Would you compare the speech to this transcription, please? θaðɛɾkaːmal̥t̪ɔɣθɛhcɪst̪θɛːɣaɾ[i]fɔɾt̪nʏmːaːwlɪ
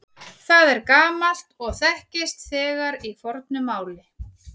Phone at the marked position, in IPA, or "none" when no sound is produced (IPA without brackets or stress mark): i